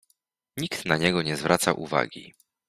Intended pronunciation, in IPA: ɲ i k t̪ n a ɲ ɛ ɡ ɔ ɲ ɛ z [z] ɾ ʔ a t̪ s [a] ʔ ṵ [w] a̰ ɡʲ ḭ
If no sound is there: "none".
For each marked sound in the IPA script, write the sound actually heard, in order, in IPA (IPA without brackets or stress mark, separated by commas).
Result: v, a, v